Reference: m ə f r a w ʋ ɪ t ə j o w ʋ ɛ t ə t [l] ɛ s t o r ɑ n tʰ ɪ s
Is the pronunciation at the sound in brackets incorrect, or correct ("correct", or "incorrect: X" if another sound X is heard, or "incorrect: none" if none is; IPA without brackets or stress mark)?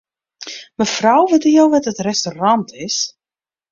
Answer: incorrect: r